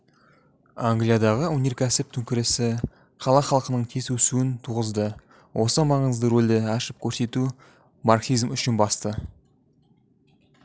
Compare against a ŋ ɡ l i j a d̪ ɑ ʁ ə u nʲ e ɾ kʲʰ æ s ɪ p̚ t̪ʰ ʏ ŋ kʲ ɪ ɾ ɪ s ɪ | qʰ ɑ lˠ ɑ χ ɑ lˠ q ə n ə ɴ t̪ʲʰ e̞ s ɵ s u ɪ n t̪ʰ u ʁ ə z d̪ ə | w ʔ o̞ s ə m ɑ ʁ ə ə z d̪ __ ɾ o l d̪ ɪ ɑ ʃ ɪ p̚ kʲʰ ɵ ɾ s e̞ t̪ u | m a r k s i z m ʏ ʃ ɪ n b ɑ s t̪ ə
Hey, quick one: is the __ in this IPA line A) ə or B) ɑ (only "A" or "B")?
A